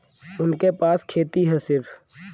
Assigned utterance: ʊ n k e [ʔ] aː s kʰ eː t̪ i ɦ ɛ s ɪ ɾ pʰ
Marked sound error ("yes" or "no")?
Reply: yes